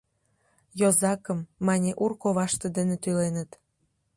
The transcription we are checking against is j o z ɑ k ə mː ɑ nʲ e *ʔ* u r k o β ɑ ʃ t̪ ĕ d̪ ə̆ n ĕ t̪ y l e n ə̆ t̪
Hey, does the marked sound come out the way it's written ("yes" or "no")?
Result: yes